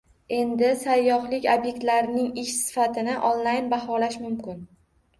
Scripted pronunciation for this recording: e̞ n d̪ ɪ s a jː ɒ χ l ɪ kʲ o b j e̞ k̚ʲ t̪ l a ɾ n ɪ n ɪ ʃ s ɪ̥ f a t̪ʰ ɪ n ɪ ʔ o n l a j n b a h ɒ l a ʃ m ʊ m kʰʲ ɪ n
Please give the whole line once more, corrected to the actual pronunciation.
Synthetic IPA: e̞ n d̪ ɪ s a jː ɒ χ l ɪ kʲ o b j e̞ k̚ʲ t̪ l a ɾ n ɪ ŋ ɪ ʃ s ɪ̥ f a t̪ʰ ɪ n ɪ ʔ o n l a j n b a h ɒ l a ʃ m ʊ m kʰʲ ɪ n